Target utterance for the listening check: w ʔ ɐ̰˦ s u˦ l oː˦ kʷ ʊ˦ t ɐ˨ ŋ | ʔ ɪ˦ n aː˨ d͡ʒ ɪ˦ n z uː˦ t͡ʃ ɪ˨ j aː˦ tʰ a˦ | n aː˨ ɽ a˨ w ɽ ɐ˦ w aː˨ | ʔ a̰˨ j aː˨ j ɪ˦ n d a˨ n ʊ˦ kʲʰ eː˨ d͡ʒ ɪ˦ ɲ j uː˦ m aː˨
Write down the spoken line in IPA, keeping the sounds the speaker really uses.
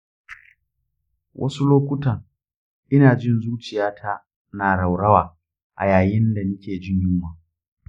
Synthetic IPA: w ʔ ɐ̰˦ s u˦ l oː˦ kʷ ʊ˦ t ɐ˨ ŋ | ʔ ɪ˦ n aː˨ d͡ʒ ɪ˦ n z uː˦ t͡ʃ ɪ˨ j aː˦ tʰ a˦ | n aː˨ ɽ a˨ w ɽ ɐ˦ w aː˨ | ʔ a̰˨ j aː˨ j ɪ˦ n d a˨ n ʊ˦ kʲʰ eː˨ d͡ʒ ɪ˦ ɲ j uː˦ m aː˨